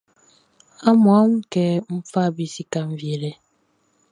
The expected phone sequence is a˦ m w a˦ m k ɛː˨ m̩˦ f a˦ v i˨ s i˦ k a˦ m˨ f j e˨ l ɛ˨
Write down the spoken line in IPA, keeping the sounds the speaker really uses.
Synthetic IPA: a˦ m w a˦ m k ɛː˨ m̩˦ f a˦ b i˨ s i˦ k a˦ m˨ v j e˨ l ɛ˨